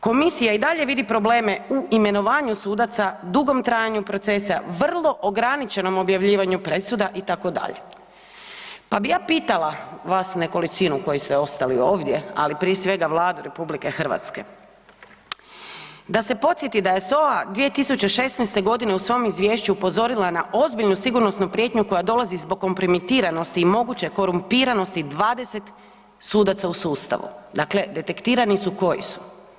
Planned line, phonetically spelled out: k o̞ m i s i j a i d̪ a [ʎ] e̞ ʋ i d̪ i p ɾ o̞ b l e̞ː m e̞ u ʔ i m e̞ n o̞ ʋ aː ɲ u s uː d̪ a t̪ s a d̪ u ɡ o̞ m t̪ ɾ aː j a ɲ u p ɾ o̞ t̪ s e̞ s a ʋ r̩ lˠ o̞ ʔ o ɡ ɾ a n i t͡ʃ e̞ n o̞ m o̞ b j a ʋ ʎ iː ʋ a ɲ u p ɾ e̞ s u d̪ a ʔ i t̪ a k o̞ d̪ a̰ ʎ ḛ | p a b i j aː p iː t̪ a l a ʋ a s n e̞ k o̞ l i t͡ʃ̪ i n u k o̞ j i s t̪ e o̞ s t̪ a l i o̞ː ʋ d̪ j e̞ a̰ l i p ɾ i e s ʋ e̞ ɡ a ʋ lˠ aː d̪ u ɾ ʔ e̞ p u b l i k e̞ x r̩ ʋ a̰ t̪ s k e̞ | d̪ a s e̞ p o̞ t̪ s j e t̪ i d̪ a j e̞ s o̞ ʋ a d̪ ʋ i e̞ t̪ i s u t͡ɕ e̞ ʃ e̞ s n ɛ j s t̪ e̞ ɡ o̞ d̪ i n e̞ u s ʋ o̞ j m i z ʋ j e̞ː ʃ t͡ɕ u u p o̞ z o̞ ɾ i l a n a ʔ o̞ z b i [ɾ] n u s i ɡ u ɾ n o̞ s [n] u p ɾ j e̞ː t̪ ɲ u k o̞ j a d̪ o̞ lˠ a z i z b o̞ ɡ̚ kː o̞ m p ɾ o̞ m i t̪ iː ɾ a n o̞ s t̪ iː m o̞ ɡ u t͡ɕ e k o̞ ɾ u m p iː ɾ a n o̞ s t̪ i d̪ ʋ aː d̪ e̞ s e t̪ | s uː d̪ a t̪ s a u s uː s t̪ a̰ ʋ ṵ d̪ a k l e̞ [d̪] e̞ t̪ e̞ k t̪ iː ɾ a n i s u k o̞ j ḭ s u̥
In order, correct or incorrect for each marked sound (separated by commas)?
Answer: correct, incorrect, correct, correct